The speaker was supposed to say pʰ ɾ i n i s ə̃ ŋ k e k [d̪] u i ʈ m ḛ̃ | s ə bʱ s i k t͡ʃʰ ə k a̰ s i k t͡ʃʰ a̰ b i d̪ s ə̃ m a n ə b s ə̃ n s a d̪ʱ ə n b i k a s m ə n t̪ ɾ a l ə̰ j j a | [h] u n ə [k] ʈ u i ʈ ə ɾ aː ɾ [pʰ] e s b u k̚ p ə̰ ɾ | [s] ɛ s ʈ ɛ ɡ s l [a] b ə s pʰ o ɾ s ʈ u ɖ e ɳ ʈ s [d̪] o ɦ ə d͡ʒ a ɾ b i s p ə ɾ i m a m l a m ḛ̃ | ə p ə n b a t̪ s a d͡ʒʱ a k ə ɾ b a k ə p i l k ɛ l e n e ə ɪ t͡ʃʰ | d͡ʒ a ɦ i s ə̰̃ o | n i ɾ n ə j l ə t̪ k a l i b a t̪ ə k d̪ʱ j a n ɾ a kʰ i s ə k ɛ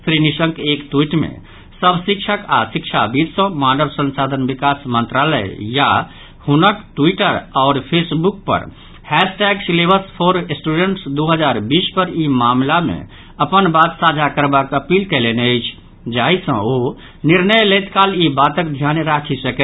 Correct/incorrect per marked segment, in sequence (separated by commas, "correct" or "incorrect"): incorrect, correct, correct, correct, incorrect, incorrect, correct